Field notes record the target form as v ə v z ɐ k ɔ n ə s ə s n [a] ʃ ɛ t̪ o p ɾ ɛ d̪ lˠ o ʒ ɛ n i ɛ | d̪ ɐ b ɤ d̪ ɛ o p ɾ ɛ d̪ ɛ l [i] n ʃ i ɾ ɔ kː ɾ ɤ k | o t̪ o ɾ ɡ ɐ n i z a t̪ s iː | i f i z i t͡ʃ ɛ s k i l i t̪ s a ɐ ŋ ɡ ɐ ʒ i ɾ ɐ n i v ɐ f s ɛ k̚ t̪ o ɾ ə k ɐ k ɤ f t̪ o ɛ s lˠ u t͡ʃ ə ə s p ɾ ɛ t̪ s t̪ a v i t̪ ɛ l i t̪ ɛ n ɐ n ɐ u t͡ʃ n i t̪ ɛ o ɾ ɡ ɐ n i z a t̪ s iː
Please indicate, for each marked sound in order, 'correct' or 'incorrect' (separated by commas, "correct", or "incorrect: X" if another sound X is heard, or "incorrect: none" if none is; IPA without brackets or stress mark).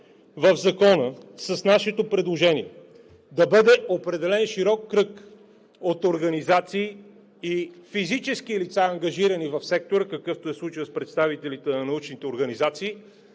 correct, incorrect: ɛ